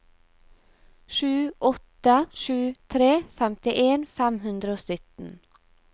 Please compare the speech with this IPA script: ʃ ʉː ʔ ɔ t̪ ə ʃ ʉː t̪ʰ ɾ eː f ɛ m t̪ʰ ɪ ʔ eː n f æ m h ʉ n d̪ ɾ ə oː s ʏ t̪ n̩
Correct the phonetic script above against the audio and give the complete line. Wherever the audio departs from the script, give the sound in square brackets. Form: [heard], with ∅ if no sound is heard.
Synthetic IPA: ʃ ʉː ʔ ɔ t̪ ə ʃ ʉː t̪ʰ ɾ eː f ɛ m [t̪] ɪ ʔ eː n f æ m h ʉ n d̪ ɾ ə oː s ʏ t̪ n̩